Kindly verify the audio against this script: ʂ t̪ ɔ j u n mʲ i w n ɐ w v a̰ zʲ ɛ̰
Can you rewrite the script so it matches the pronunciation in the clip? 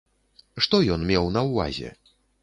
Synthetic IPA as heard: ʂ t̪ ɔ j ɔ n mʲ ɛ w n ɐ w v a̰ zʲ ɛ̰